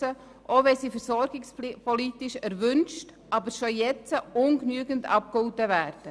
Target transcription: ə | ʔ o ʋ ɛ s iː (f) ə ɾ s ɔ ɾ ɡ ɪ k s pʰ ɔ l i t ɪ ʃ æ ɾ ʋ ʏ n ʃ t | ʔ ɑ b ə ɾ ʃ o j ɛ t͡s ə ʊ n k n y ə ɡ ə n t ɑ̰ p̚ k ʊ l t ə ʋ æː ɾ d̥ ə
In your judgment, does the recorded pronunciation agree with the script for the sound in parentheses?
yes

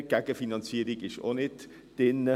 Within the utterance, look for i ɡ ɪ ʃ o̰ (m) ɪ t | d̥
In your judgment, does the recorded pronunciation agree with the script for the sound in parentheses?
no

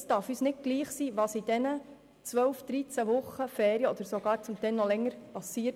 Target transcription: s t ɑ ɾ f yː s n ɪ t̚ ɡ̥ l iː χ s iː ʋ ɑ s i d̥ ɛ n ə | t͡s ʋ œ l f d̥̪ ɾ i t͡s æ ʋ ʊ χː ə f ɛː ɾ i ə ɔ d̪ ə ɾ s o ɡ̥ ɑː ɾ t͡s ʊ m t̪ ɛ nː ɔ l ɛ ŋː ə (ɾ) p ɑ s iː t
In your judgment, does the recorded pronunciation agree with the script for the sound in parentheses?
yes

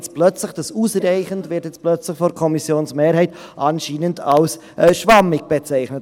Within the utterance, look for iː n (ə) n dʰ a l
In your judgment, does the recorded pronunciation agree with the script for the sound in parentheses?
yes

